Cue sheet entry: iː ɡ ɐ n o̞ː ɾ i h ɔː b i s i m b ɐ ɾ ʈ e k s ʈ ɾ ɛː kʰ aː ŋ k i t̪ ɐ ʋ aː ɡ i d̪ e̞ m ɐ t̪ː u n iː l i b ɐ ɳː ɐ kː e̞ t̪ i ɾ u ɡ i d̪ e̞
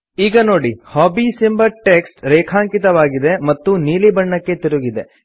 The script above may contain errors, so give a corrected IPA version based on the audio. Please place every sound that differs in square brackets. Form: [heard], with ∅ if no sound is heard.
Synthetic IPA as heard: iː ɡ ɐ n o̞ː [ɽ] i h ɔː b i s i m b ɐ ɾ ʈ e k s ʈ ɾ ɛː kʰ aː ŋ k i t̪ ɐ ʋ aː ɡ i d̪ e̞ m ɐ t̪ː u n iː l i b ɐ ɳː ɐ kː e̞ t̪ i ɾ u ɡ i d̪ e̞